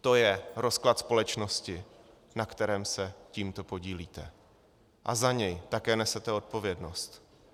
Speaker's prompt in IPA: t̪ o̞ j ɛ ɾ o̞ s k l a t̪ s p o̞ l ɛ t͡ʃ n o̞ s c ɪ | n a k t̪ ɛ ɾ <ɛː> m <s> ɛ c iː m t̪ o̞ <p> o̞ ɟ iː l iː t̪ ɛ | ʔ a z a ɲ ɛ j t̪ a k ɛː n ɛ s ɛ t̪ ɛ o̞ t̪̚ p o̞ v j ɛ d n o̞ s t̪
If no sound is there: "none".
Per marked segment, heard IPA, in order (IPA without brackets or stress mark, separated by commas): ɛː, s, p